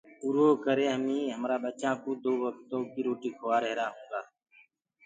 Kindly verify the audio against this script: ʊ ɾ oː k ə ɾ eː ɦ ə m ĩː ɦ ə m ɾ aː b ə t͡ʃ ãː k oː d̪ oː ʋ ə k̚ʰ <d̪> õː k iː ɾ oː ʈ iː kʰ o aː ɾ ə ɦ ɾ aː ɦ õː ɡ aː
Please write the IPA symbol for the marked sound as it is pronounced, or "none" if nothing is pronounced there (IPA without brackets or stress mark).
t̪